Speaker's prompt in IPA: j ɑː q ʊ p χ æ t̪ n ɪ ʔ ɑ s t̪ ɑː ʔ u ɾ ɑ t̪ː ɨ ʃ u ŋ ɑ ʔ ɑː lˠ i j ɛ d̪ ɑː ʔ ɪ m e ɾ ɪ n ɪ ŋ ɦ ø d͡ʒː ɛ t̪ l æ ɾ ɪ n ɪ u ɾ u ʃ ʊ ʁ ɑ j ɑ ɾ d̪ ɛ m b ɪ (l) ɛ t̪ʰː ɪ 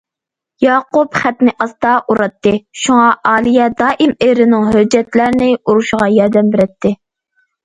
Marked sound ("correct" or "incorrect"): incorrect